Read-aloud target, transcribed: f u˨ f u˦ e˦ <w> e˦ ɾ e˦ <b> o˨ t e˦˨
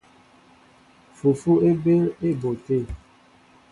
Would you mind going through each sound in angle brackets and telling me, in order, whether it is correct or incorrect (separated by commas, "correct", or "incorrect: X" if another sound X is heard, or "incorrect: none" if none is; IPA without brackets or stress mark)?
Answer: incorrect: b, correct